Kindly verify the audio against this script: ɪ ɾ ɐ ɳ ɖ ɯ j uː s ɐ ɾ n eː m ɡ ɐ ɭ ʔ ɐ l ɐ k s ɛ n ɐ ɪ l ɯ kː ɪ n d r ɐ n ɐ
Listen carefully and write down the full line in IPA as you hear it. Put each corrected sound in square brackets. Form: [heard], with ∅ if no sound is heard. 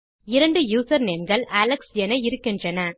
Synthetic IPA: ɪ ɾ ɐ ɳ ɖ ɯ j uː s ɐ ɾ n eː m ɡ ɐ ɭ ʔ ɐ l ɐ k s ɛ n ɐ ɪ [ɾ] ɯ kː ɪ n d r ɐ n ɐ

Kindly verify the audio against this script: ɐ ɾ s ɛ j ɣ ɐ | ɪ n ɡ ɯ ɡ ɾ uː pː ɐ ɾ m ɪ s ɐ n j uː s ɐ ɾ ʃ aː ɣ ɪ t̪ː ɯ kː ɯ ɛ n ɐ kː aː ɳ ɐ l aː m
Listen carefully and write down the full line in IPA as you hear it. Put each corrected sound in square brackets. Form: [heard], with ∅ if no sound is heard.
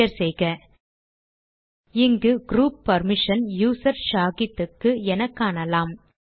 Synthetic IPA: ɐ ɾ s ɛ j ɣ ɐ | ɪ [ŋ] ɡ ɯ ɡ ɾ uː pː ɐ ɾ m ɪ [ʂ] ɐ n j uː s ɐ ɾ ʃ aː ɣ ɪ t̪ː ɯ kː ɯ ɛ n ɐ kː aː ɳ ɐ l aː m

